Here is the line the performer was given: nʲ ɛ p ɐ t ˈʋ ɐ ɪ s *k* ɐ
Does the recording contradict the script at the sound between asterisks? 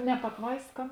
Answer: no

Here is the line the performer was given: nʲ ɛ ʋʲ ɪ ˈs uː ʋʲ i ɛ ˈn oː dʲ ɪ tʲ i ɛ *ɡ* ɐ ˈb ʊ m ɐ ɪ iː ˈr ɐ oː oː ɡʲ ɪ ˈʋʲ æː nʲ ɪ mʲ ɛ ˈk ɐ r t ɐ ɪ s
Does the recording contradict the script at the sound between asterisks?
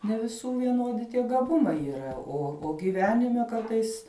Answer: no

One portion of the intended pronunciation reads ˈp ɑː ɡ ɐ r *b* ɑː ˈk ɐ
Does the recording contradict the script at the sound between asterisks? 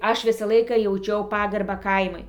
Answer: no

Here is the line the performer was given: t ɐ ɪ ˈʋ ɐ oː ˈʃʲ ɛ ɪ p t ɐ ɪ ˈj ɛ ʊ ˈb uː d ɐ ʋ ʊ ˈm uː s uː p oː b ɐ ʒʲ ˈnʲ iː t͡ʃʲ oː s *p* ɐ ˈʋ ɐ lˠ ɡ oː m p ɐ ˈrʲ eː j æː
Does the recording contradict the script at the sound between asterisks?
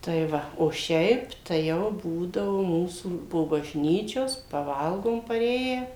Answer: no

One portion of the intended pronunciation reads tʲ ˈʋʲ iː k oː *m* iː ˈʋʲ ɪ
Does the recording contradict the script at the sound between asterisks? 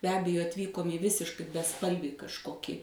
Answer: no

